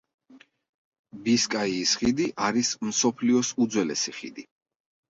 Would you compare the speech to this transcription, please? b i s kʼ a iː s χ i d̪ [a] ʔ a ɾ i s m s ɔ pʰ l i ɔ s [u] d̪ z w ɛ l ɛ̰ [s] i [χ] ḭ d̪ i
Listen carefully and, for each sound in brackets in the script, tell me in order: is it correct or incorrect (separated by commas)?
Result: incorrect, correct, correct, correct